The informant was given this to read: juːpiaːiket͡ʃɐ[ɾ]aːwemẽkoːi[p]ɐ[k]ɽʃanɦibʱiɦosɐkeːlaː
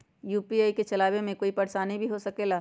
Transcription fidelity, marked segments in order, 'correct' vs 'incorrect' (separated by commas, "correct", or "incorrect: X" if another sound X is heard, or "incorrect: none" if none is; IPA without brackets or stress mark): incorrect: l, correct, incorrect: none